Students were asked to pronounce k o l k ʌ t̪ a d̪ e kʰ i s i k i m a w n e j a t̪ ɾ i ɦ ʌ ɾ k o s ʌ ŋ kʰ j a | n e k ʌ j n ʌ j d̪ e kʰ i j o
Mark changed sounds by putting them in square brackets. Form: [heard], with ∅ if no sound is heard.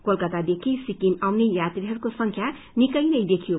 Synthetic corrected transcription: k o l k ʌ t̪ a d̪ e kʰ i s i k i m a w n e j a t̪ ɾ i ɦ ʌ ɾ k o s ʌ ŋ kʰ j a | n [i] k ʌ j n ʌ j d̪ e kʰ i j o